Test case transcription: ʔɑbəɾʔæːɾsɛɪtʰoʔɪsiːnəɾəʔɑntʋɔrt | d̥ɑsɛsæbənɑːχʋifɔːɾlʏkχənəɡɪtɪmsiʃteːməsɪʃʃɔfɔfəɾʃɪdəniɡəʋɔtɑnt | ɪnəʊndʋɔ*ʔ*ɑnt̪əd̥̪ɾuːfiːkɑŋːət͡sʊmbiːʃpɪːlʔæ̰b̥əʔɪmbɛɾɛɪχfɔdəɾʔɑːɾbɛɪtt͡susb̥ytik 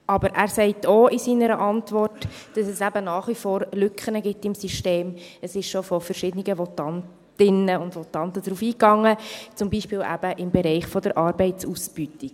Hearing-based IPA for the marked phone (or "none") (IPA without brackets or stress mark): t